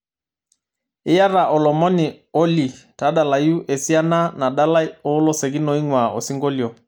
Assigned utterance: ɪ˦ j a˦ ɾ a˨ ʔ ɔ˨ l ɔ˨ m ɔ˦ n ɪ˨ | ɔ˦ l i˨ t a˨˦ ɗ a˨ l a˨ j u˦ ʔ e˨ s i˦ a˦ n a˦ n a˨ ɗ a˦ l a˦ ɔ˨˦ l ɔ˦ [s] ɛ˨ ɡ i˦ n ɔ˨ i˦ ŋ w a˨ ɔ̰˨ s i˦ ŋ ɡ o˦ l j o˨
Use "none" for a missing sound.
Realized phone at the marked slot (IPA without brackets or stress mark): s